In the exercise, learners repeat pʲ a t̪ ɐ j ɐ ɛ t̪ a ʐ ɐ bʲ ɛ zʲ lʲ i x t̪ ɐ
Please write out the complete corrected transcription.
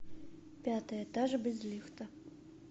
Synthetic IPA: pʲ a t̪ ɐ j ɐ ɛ t̪ a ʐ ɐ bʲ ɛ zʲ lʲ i x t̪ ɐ